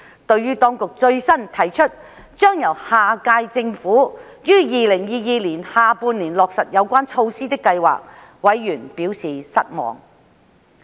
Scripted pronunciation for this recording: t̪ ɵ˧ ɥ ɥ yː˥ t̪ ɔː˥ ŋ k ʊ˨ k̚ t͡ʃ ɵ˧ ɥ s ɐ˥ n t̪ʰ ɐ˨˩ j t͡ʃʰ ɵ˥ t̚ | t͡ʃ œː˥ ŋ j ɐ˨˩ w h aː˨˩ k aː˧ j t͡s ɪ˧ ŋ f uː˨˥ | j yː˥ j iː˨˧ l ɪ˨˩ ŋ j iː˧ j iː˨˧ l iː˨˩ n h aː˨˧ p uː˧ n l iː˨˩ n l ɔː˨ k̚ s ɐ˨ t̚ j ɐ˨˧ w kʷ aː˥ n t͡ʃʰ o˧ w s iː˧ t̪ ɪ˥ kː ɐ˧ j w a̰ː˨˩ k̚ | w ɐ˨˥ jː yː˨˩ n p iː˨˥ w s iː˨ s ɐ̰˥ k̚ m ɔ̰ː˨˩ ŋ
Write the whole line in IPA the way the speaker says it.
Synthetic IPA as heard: t̪ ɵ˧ ɥ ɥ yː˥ t̪ ɔː˥ ŋ k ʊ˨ k̚ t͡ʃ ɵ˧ ɥ s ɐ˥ n t̪ʰ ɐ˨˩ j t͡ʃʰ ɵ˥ t̚ | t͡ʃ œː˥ ŋ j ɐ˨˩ w h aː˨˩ k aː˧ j t͡s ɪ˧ ŋ f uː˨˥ | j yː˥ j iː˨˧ l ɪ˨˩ ŋ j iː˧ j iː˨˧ l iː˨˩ n h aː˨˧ p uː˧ n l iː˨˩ n l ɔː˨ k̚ s ɐ˨ t̚ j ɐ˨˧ w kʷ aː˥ n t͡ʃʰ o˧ w s iː˥ t̪ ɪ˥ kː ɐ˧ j w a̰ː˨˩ k̚ | w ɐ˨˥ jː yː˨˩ n p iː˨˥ w s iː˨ s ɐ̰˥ t̚ m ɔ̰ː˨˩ ŋ